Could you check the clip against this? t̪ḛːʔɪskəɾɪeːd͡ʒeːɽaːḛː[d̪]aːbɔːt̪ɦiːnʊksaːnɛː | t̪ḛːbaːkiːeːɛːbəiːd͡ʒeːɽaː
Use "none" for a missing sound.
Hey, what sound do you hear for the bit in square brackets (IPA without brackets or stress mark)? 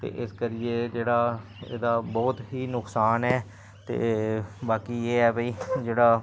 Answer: d̪